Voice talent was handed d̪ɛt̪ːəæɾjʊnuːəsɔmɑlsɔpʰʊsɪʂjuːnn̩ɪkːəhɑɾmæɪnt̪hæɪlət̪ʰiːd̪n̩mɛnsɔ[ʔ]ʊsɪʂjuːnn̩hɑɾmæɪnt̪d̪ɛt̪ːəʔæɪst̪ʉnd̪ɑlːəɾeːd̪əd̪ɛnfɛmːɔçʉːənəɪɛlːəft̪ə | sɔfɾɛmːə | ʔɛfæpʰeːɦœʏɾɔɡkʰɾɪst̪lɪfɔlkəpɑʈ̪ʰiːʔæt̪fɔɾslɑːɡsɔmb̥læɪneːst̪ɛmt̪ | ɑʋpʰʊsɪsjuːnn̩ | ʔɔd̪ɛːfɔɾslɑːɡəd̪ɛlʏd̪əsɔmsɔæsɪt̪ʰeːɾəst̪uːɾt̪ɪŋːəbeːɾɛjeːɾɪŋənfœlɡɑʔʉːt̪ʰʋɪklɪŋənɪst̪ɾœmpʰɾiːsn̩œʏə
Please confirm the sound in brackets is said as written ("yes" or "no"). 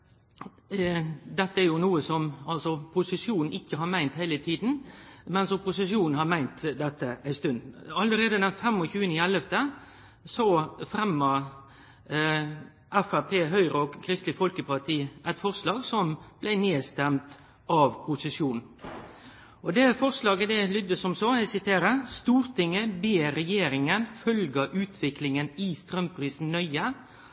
no